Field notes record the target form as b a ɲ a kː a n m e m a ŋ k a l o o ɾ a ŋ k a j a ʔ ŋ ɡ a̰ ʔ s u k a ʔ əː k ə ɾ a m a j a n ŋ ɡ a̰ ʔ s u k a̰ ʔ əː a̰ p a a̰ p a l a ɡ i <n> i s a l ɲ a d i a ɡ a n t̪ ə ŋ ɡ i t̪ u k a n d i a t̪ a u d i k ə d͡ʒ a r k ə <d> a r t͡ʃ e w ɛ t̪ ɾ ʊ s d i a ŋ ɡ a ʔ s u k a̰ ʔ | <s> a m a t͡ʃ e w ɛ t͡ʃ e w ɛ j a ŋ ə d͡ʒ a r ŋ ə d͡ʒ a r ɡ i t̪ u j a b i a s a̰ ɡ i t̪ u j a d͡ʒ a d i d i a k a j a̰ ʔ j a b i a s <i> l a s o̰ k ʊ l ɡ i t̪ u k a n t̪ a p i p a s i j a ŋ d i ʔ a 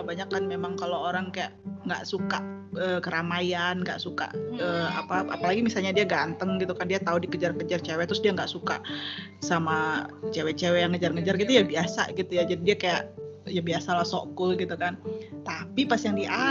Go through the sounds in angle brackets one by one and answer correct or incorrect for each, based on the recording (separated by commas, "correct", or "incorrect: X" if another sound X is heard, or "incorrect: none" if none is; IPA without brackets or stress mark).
incorrect: m, incorrect: d͡ʒ, correct, incorrect: a